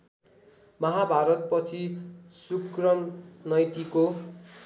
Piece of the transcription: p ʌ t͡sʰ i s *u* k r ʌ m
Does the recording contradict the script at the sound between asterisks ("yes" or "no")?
no